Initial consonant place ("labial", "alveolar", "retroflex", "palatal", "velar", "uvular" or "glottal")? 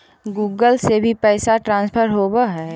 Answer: velar